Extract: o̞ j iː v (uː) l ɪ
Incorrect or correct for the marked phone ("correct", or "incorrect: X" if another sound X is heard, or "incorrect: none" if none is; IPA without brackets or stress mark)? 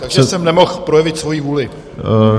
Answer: correct